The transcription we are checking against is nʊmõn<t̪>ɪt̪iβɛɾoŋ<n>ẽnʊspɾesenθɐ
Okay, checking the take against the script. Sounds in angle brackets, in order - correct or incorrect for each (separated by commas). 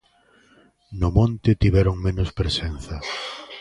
correct, incorrect